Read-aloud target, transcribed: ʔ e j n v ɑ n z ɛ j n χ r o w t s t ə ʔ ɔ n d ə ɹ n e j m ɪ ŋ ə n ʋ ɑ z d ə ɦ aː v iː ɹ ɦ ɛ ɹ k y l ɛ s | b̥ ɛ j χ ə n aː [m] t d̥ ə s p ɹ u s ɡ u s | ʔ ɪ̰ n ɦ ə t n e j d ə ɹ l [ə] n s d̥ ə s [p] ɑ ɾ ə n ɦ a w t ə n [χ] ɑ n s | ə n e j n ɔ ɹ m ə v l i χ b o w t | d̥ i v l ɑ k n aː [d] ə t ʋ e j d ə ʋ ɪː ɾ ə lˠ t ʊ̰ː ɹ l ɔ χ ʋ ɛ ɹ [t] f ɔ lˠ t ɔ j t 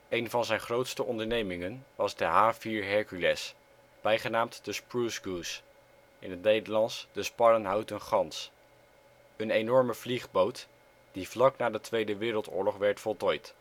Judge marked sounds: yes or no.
yes, no, yes, yes, yes, yes

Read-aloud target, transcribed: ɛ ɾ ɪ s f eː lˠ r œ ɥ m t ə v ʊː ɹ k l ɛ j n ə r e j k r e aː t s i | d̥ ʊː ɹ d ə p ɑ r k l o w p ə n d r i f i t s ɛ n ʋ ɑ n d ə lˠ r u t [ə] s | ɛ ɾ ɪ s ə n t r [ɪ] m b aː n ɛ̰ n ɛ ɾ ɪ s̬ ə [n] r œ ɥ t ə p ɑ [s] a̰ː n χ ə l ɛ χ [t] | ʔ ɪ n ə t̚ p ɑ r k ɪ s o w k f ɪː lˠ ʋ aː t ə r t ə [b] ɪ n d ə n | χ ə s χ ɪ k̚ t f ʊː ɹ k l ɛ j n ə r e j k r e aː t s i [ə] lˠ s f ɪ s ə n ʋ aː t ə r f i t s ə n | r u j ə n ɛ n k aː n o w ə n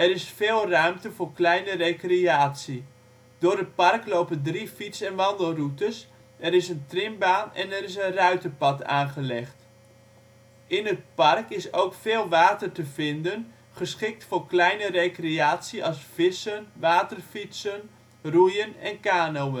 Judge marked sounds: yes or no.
yes, yes, yes, no, yes, no, no

